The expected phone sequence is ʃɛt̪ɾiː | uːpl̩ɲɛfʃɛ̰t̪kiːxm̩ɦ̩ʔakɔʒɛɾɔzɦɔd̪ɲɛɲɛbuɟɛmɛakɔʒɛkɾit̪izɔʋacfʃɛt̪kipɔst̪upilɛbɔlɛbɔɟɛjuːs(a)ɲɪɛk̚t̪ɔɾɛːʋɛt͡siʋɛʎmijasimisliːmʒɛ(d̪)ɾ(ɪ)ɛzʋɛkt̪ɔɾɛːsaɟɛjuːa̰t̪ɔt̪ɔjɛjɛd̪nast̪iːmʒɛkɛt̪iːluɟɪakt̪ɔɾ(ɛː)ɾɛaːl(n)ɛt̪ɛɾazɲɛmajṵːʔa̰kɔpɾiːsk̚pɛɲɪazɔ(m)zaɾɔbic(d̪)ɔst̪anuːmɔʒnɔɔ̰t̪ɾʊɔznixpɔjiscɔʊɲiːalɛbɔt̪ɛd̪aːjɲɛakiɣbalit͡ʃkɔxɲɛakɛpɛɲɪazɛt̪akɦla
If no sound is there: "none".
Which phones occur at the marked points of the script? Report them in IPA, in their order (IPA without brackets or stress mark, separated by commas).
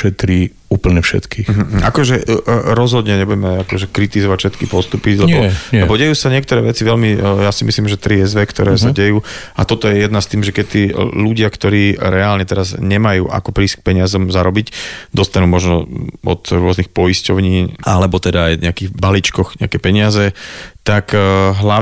a, t̪, i, iː, ɲ, m, d̪